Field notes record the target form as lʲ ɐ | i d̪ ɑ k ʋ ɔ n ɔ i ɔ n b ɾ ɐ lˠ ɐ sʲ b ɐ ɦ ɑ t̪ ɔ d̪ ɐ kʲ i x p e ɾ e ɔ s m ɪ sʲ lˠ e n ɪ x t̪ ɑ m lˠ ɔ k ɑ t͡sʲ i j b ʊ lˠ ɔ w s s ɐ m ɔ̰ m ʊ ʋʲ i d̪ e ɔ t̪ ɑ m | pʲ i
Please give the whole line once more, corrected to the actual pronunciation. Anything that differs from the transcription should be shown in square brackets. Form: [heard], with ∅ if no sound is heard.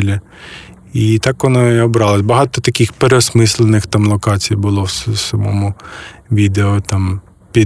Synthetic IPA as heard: lʲ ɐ | i [t̪] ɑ k ʋ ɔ n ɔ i ɔ [∅] b ɾ [ɑ] lˠ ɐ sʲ b ɐ ɦ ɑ t̪ ɔ [t̪] ɐ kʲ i x p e ɾ e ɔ s m ɪ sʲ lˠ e n ɪ x t̪ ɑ m lˠ ɔ k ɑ t͡sʲ i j b ʊ lˠ ɔ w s s ɐ m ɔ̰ m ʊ ʋʲ i d̪ e ɔ t̪ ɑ m | pʲ i